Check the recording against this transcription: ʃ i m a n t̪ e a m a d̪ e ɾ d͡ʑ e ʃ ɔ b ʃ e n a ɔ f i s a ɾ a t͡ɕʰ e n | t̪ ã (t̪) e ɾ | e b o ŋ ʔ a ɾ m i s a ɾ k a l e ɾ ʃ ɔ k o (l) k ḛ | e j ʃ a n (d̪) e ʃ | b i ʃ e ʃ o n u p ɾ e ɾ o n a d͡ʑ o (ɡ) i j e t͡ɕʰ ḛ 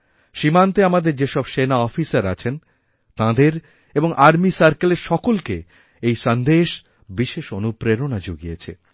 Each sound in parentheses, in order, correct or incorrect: incorrect, correct, correct, correct

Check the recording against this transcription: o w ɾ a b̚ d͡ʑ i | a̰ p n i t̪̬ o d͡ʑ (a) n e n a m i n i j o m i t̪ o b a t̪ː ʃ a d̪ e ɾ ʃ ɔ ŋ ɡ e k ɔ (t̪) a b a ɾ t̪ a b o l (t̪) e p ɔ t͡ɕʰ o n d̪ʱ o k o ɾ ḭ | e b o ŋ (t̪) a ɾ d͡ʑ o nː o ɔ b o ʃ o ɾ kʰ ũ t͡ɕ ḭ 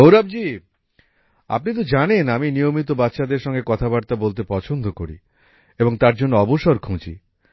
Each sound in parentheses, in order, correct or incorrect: correct, incorrect, correct, correct

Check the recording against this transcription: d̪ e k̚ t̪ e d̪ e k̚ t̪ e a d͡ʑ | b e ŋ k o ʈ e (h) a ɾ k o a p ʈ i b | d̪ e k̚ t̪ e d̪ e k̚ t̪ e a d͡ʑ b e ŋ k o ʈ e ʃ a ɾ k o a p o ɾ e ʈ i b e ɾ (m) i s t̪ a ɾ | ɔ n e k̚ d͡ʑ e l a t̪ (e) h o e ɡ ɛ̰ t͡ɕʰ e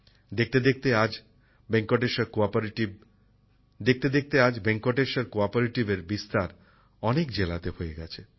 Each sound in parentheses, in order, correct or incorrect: incorrect, incorrect, correct

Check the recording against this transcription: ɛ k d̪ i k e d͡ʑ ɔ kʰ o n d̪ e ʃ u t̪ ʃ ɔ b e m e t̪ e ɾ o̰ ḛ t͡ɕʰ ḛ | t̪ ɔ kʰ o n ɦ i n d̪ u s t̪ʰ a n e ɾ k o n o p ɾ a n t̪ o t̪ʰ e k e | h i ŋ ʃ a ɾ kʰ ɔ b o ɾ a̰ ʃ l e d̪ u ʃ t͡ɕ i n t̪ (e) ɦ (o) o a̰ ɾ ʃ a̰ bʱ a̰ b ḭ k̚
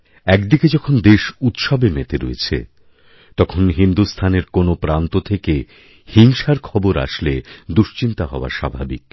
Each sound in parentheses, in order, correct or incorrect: incorrect, incorrect

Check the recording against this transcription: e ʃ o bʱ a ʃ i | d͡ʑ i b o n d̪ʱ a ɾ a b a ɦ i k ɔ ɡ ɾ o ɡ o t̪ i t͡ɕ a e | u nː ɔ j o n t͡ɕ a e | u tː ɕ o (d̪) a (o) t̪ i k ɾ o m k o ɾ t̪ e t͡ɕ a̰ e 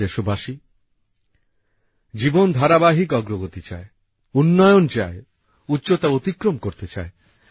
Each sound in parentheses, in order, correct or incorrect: incorrect, correct

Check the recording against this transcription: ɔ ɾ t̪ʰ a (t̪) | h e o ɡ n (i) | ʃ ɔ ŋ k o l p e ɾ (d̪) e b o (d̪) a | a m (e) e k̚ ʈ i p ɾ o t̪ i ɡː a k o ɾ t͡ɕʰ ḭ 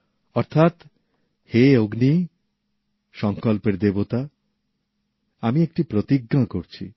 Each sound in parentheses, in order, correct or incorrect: correct, correct, correct, incorrect, incorrect

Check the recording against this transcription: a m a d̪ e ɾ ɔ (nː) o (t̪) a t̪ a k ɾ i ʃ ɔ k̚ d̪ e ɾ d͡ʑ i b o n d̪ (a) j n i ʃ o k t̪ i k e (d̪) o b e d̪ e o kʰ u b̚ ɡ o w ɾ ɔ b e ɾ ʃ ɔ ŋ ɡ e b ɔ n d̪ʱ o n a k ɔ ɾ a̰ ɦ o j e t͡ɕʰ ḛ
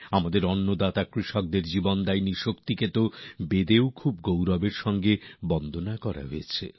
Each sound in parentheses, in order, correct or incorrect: correct, incorrect, correct, incorrect

